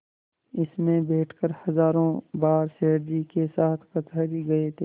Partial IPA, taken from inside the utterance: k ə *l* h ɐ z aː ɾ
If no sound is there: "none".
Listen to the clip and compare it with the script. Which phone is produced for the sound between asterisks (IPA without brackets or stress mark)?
ɾ